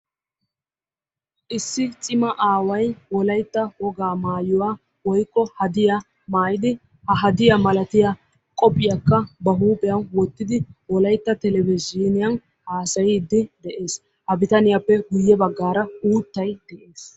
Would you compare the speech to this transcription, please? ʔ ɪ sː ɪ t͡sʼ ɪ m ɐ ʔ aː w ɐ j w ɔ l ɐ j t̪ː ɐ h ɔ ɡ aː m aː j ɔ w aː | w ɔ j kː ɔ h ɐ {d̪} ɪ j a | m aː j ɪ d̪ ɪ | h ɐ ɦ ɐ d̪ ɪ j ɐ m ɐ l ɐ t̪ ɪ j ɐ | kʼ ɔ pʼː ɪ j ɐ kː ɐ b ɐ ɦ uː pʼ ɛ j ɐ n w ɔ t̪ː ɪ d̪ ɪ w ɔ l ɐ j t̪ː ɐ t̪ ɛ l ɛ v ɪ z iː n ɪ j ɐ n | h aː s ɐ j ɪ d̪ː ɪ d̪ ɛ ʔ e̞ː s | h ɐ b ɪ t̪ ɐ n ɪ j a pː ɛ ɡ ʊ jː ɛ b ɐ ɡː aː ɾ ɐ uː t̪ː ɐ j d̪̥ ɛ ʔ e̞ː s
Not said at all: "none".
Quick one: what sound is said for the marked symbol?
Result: d̪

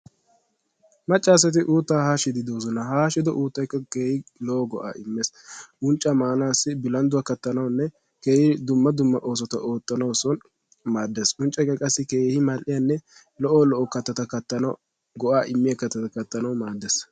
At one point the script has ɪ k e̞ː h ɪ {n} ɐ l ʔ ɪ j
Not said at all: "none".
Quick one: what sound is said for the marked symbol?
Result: m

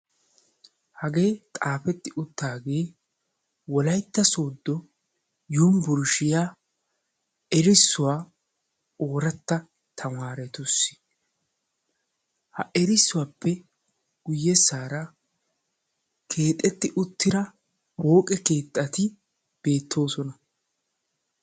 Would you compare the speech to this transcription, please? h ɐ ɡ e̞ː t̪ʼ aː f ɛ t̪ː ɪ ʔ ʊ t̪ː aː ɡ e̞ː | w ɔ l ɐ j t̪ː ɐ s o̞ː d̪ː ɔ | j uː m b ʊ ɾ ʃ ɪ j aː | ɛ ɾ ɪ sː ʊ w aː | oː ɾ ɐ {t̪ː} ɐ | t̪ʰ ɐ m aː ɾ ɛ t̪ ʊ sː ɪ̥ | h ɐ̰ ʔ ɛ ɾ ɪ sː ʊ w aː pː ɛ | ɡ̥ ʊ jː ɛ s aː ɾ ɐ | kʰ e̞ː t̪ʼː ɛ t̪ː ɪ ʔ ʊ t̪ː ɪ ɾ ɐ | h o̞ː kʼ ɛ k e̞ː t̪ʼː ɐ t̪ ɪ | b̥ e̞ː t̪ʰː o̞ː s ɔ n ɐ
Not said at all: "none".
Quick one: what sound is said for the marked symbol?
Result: t̪ː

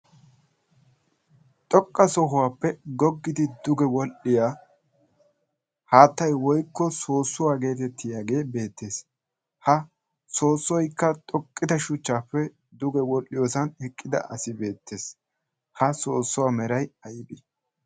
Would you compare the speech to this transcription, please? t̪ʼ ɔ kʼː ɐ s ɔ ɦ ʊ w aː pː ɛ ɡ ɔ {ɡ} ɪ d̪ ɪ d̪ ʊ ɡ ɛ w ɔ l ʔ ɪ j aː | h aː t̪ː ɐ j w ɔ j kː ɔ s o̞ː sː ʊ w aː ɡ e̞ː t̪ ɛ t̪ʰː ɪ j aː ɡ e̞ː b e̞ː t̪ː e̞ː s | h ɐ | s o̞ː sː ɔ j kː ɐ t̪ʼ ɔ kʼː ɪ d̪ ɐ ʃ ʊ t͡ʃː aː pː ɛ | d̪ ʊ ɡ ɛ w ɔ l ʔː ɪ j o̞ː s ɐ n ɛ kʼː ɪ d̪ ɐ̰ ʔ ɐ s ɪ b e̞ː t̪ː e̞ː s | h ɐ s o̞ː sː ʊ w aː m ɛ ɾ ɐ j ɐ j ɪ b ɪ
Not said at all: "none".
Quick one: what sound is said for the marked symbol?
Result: ɡː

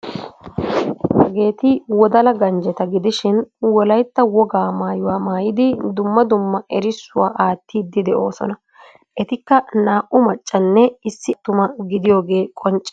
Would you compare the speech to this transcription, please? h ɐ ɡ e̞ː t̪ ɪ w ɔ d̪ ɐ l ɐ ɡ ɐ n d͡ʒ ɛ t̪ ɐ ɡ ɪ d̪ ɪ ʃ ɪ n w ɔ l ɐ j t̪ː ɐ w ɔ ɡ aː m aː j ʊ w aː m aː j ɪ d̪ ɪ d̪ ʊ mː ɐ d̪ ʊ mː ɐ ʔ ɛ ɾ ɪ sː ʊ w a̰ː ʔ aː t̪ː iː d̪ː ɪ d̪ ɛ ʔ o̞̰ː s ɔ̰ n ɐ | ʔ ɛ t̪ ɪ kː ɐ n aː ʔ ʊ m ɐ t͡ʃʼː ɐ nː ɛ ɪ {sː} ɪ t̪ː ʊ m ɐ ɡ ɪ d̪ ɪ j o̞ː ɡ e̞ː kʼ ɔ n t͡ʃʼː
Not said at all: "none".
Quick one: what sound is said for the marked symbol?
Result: sː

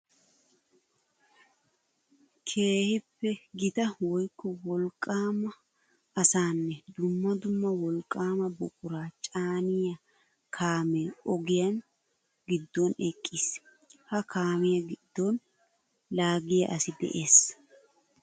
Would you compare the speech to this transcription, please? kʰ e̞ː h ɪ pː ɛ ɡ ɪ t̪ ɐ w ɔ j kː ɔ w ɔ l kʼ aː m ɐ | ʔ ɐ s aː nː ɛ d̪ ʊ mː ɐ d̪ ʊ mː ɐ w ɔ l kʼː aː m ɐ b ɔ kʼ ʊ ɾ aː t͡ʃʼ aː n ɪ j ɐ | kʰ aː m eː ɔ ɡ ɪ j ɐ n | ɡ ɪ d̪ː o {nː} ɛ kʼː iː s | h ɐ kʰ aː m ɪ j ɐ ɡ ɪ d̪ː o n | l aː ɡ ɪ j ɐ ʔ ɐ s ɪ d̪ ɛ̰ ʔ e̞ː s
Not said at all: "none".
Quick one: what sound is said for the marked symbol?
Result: n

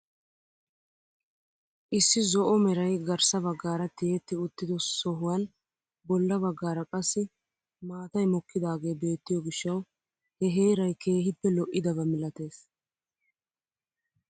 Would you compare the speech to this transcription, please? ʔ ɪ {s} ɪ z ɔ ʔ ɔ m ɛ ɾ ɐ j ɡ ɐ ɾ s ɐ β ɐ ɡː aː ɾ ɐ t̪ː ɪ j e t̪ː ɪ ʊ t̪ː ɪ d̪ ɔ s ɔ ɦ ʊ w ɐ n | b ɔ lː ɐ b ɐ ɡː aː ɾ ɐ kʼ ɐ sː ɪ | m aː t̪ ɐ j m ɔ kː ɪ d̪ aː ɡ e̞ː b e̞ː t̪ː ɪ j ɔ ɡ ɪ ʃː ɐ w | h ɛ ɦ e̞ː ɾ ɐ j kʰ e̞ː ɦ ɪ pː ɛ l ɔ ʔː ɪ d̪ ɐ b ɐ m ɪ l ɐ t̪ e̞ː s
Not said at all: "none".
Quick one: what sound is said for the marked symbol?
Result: sː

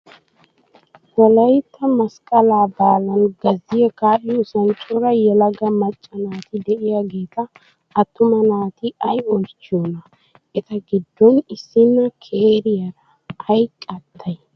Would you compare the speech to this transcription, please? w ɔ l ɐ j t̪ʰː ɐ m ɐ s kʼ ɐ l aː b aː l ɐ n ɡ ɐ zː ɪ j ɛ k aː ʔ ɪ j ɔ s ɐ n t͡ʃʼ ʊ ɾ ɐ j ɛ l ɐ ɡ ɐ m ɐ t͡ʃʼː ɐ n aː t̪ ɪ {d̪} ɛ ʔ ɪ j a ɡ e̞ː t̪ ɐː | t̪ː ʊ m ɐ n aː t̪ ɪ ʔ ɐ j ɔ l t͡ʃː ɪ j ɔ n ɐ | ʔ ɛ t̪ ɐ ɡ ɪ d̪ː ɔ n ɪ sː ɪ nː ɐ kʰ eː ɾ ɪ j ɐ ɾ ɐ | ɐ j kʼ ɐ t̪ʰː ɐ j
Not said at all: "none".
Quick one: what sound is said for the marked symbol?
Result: d̪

